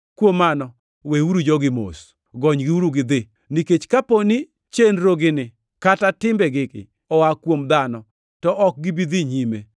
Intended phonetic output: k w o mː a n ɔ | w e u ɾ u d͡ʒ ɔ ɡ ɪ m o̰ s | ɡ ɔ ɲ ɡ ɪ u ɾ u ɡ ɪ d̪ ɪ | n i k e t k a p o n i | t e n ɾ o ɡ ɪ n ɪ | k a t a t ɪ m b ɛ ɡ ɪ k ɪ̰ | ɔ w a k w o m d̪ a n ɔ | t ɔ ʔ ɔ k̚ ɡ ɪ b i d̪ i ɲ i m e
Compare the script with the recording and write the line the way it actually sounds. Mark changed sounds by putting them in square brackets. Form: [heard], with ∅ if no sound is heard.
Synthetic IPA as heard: k w o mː a n ɔ | w e u ɾ u d͡ʒ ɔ ɡ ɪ m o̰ s | ɡ ɔ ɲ ɡ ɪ u ɾ u ɡ ɪ d̪ ɪ | n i k e [t͡ʃ] k a p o n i | [t͡ʃ] e n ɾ o ɡ ɪ n ɪ | k a t a t ɪ m b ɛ ɡ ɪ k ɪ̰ | ɔ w a k w o m d̪ a n ɔ | t ɔ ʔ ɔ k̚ ɡ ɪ b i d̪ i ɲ i m e